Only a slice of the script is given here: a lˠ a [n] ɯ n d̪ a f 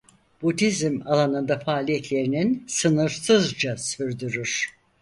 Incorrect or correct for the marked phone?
correct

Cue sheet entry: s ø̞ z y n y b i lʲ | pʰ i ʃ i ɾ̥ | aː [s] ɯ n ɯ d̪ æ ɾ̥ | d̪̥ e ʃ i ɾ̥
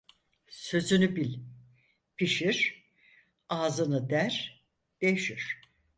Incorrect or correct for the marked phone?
incorrect: z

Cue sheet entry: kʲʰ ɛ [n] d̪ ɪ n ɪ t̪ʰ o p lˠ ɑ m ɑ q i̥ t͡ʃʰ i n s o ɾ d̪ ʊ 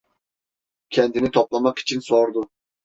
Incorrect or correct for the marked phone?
correct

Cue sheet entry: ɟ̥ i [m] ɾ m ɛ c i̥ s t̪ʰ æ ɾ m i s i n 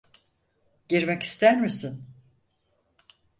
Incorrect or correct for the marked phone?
incorrect: none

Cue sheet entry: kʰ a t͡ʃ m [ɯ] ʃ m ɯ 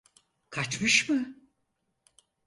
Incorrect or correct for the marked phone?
correct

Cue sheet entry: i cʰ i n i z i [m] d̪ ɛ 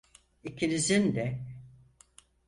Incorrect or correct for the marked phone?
incorrect: n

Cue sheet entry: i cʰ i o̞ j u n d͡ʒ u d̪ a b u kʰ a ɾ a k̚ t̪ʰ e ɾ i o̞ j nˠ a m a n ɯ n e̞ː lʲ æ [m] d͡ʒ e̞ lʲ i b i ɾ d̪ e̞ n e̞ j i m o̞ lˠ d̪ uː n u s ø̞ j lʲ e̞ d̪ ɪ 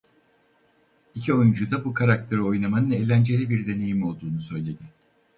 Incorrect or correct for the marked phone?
incorrect: n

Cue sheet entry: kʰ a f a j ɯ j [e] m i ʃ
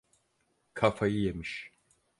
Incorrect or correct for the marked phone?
correct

